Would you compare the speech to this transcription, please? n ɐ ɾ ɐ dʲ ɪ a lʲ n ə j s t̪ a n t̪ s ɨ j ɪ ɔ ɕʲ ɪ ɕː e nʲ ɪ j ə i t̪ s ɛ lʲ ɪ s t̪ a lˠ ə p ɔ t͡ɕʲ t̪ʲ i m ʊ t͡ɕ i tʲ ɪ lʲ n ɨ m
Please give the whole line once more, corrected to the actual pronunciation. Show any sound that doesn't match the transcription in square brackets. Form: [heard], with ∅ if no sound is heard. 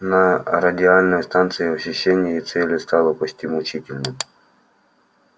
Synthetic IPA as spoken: n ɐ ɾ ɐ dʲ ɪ a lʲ n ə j s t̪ a n t̪ s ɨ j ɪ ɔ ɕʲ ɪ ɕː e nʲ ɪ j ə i t̪ s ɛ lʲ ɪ s t̪ a lˠ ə p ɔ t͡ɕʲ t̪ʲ i m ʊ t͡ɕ i tʲ ɪ lʲ n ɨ m